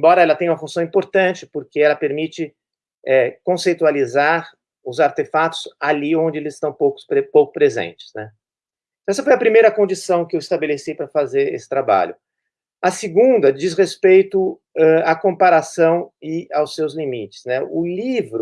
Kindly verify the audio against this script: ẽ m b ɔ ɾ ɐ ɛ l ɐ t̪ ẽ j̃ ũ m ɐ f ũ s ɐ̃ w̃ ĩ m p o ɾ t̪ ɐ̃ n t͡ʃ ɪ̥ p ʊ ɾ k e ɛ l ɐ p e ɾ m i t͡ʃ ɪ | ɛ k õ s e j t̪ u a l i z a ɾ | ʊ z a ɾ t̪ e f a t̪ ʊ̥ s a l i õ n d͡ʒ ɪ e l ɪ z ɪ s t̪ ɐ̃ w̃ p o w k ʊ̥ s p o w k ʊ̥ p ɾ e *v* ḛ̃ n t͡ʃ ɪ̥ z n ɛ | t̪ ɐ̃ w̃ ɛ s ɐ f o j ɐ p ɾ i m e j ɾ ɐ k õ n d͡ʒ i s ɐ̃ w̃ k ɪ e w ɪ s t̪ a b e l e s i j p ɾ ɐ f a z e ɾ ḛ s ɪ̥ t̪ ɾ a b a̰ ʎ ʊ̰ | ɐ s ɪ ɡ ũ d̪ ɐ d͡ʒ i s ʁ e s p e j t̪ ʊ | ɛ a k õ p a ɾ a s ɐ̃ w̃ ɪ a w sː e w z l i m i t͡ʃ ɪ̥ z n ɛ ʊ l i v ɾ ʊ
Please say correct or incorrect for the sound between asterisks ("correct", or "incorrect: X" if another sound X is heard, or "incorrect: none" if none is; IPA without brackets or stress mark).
incorrect: z